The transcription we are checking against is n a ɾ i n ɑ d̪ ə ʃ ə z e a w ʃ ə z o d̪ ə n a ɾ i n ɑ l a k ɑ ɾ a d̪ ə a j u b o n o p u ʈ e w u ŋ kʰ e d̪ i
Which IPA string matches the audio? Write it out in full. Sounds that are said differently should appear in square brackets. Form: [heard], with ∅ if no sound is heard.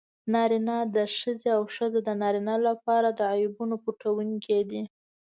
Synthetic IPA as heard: n [ɑ] ɾ i n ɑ d̪ ə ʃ ə z e a w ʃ ə z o d̪ ə n [ɑ] ɾ i n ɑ l a [p] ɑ ɾ a d̪ ə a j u b [u] n o p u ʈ [a] w u ŋ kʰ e d̪ i